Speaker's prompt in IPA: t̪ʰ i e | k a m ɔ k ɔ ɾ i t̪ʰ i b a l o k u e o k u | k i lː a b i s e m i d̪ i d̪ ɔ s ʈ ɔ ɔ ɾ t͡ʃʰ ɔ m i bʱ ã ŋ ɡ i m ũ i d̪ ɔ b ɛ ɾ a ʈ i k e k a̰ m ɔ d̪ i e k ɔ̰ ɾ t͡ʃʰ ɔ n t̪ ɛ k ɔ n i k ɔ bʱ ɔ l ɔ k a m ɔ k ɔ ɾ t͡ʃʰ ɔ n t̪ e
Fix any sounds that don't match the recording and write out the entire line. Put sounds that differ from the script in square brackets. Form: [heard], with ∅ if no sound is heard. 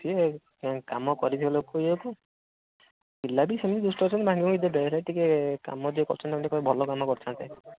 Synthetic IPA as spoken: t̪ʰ i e | k a m ɔ k ɔ ɾ i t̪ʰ i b a l o k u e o k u | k i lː a b i s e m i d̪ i d̪ [u] s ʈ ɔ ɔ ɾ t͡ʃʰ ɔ [n] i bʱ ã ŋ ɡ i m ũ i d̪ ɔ b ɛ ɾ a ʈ i k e k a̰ m ɔ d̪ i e k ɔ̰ ɾ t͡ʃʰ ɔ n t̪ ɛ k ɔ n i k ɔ bʱ ɔ l ɔ k a m ɔ k ɔ ɾ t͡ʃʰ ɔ n t̪ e